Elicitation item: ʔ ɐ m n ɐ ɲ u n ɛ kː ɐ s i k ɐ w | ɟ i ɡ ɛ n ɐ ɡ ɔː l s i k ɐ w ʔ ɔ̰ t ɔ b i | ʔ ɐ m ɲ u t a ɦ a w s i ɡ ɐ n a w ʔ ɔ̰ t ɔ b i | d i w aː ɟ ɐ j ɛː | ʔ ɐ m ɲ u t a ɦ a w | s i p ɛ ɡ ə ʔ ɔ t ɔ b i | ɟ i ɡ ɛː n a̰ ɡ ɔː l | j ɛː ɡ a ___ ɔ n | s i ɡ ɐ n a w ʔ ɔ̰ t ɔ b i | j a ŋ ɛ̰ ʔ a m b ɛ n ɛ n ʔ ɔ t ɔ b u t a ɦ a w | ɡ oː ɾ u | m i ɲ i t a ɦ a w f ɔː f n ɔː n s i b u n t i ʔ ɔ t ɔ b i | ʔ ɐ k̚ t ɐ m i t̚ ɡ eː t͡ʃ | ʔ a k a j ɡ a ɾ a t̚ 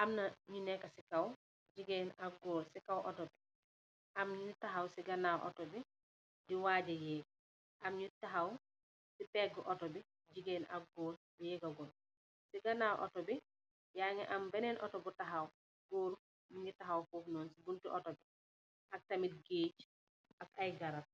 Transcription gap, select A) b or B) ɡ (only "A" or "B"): B